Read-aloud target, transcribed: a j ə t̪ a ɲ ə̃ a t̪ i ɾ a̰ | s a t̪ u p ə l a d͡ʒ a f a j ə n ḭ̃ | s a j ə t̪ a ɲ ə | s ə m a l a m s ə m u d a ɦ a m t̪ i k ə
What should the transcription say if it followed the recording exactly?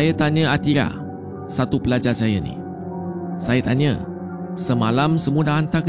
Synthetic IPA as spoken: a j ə t̪ a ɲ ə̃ a t̪ i ɾ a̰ | s a t̪ u p ə l a d͡ʒ a s a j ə n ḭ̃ | s a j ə t̪ a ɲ ə | s ə m a l a m s ə m u d a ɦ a n t̪ a k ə